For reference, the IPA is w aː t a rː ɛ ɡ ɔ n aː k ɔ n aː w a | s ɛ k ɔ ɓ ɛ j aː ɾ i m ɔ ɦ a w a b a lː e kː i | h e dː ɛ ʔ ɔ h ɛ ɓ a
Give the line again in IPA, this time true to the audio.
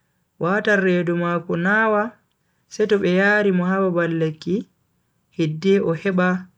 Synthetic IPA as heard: w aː t a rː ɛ d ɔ m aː k ɔ n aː w a | s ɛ t ɔ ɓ ɛ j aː ɾ i m ɔ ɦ a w a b a lː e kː i | h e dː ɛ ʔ ɔ h ɛ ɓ a